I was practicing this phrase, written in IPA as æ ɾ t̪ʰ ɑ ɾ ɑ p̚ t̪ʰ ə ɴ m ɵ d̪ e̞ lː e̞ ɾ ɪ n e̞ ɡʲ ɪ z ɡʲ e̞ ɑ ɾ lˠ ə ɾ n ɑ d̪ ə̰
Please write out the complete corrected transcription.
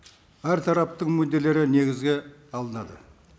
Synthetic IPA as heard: æ ɾ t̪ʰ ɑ ɾ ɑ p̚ t̪ ə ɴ m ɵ d̪ e̞ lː e̞ ɾ ɪ n e̞ ɡʲ ɪ z ɡʲ e̞ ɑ lˠ ə n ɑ d̪ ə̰